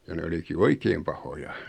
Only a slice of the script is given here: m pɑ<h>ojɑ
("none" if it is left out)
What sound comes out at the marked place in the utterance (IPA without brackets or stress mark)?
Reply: h